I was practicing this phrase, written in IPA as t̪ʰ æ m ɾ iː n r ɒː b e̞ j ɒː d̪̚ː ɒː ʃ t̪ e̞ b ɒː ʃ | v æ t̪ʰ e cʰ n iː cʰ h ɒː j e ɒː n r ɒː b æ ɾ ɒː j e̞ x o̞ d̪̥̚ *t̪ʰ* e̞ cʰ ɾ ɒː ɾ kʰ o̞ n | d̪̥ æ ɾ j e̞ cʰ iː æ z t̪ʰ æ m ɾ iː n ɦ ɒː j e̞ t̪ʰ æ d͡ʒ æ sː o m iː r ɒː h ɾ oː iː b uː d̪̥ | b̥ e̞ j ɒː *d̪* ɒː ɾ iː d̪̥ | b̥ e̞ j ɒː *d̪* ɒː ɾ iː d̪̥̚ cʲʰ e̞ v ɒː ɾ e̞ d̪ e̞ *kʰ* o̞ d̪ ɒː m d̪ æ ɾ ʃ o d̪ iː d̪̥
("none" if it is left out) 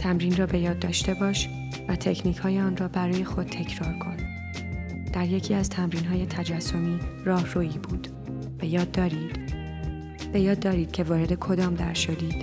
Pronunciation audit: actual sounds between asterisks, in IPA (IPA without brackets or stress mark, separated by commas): t̪ʰ, d̪ː, d̪ː, kʰ